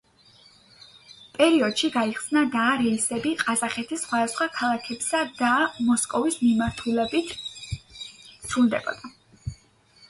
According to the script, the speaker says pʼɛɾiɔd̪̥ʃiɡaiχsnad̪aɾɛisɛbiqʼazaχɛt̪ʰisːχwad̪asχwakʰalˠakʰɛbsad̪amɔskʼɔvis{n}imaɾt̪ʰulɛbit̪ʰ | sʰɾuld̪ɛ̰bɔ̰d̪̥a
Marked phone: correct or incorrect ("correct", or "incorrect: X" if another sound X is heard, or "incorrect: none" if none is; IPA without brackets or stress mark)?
incorrect: m